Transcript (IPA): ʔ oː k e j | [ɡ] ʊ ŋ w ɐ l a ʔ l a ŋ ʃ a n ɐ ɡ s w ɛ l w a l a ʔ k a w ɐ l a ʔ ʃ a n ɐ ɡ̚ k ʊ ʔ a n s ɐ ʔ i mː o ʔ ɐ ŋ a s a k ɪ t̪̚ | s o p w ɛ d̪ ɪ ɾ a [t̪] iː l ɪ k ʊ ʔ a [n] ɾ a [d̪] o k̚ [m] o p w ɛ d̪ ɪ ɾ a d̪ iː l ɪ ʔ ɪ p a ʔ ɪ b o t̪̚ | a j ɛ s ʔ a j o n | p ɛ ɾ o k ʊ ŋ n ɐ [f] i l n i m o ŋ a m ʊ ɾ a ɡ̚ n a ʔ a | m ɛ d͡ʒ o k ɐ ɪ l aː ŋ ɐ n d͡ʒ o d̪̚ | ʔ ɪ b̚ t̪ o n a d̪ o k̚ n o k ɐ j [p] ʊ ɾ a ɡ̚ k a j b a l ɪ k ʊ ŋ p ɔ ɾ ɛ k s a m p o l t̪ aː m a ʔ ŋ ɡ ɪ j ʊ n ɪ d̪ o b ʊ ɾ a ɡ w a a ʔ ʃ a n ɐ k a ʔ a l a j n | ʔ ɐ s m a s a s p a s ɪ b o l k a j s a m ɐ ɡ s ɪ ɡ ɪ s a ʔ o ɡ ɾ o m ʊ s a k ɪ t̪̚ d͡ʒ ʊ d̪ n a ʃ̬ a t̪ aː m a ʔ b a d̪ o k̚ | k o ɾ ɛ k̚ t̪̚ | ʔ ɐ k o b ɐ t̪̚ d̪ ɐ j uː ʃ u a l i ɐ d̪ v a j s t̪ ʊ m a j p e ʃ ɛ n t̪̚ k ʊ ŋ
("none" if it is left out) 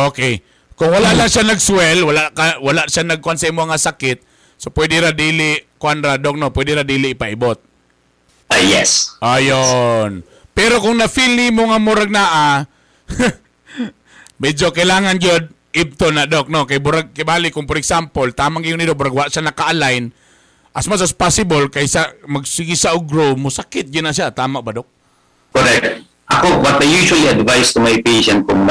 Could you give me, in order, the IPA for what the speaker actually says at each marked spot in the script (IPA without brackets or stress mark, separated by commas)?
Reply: k, d̪, n, d̪, n, f, b